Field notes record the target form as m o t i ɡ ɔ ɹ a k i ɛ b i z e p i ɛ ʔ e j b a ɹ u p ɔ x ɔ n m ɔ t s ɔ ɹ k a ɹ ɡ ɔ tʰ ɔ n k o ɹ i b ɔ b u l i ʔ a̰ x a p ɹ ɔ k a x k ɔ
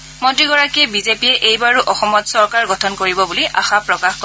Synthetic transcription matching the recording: m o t i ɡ ɔ ɹ a k i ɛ b i z e p i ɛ ʔ e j b a ɹ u ʔ ɔ x ɔ m ɔ t s ɔ ɹ k a ɹ ɡ ɔ tʰ ɔ n k o ɹ i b ɔ b u l i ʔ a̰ x a p ɹ ɔ k a x k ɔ

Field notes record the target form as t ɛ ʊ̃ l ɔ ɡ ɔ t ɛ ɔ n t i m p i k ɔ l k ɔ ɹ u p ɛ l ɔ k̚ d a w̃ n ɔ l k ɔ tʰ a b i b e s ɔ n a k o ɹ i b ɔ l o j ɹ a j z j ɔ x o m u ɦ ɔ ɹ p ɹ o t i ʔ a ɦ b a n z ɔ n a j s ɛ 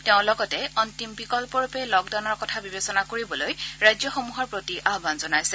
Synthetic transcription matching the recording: t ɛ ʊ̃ l ɔ ɡ ɔ t ɛ ɔ n t i m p i k ɔ l p ɔ ɹ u p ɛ l ɔ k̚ d a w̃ n ɔ ɹ k ɔ tʰ a b i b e s ɔ n a k o ɹ i b ɔ l o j ɹ a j z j ɔ x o m u ɦ ɔ ɹ p ɹ o t i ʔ a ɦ b a n z ɔ n a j s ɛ

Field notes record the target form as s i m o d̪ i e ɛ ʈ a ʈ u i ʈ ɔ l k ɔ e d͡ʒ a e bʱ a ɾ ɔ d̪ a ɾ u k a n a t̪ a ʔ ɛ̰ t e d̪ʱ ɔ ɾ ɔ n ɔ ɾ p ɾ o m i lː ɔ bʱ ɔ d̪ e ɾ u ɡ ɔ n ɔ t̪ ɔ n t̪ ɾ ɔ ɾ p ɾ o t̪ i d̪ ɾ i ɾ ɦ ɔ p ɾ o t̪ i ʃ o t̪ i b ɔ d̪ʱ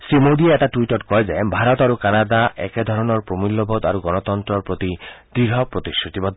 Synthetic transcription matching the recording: s i m o d̪ i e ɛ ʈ a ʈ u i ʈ ɔ ɾ k ɔ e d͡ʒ a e bʱ a ɾ ɔ t̪ a ɾ u k a n a d̪ a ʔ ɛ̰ k e d̪ʱ ɔ ɾ ɔ n ɔ ɾ p ɾ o m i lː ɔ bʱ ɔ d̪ a ɾ u ɡ ɔ n ɔ t̪ ɔ n t̪ ɾ ɔ ɾ p ɾ o t̪ i d̪ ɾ i ɾ ɦ ɔ p ɾ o t̪ i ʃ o t̪ i b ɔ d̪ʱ

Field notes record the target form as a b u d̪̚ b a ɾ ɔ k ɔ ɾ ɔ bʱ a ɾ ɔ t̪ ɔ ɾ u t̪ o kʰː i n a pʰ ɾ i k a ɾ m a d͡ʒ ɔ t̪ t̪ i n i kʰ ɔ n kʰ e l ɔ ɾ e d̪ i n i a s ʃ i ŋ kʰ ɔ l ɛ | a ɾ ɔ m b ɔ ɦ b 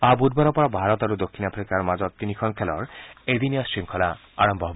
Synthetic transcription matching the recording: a b u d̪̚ b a ɾ ɔ p ɔ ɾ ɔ bʱ a ɾ ɔ t̪ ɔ ɾ u d̪ o kʰː i n a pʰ ɾ i k a ɾ m a d͡ʒ ɔ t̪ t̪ i n i kʰ ɔ n kʰ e l ɔ ɾ e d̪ i n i a s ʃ i ŋ kʰ ɔ l a | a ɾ ɔ m b ɔ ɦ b

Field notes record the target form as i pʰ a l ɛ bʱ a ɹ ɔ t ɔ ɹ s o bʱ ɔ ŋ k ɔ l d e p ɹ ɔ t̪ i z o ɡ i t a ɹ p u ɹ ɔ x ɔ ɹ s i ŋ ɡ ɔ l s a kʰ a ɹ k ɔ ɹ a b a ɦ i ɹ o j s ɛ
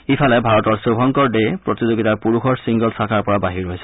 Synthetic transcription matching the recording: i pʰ a l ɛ bʱ a ɹ ɔ t ɔ ɹ s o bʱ ɔ ŋ k ɔ ɹ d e p ɹ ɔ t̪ i z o ɡ i t a ɹ p u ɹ u x ɔ ɹ s i ŋ ɡ ɔ l s a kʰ a ɹ p ɔ ɹ a b a ɦ i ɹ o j s ɛ

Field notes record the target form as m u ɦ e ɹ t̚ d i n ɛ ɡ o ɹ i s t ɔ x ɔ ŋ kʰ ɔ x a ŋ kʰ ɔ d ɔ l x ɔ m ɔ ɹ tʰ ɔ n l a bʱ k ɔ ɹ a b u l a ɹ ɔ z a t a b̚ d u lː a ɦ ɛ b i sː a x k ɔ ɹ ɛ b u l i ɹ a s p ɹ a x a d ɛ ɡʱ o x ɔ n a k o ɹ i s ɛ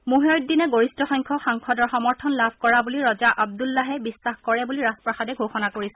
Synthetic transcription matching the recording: m u ɦ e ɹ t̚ d i n ɛ ɡ o ɹ i s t ɔ x ɔ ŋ kʰ ɔ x a ŋ kʰ ɔ d ɔ ɹ x ɔ m ɔ ɹ tʰ ɔ n l a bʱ k ɔ ɹ a b u l i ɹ ɔ z a ʔ a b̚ d u lː a ɦ ɛ b i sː a x k ɔ ɹ ɛ b u l i ɹ a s p ɹ a x a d ɛ ɡʱ o x ɔ n a k o ɹ i s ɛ

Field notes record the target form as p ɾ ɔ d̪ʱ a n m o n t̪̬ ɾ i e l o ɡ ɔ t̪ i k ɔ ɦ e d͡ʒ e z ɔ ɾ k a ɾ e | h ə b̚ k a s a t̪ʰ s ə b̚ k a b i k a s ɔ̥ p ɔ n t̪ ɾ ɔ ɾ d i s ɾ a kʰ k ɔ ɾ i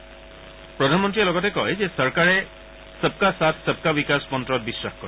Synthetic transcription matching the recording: p ɾ ɔ d̪ʱ a n m ɔ n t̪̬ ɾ i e l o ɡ ɔ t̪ e k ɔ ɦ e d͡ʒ e s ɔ ɾ k a ɾ e | s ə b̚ k a s a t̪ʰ s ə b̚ k a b i k a s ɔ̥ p ɔ n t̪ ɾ ɔ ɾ b i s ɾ a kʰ k ɔ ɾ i

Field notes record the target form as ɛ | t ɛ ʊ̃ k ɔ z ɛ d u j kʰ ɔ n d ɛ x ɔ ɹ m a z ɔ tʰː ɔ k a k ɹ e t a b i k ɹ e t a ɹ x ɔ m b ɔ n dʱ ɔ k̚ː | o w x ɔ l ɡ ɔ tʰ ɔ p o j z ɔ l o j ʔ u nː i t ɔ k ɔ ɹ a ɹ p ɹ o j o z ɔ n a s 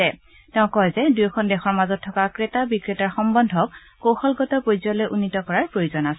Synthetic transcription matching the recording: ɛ | t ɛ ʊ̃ k ɔ z ɛ d u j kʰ ɔ n d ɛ x ɔ ɹ m a z ɔ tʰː ɔ k a k ɹ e t a b i k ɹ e t a ɹ x ɔ m b ɔ n dʱ ɔ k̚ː | o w x ɔ l ɡ ɔ t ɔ p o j z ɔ l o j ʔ u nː i t ɔ k ɔ ɹ a ɹ p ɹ o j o z ɔ n a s

